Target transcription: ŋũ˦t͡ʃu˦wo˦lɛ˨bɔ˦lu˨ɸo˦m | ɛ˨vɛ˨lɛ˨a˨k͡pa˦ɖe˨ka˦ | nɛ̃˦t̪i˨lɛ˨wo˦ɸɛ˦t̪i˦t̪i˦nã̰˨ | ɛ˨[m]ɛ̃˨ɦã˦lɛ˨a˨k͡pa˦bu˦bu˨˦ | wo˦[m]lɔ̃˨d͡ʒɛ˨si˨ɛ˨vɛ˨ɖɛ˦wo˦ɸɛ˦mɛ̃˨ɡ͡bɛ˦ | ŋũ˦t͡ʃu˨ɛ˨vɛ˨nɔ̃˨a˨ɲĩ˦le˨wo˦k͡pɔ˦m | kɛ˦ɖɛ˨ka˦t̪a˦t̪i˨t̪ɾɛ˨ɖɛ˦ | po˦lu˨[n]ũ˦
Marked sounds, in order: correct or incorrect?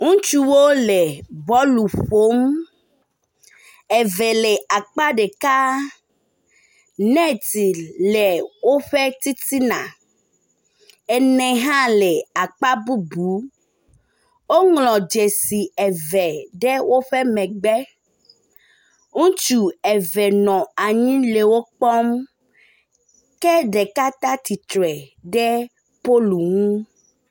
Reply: incorrect, incorrect, incorrect

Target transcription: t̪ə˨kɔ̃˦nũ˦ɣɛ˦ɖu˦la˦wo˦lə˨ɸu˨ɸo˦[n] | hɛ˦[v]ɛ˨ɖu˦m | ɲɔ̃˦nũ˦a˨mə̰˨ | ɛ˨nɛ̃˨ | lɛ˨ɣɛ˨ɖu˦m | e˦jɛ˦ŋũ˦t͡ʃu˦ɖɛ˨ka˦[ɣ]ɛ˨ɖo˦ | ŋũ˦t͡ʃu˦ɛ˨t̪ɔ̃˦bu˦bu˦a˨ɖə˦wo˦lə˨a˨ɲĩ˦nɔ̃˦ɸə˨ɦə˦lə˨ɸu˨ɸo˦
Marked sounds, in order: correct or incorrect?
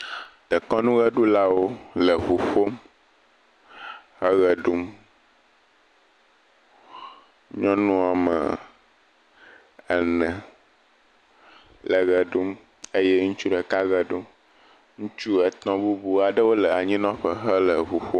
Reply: incorrect, incorrect, correct

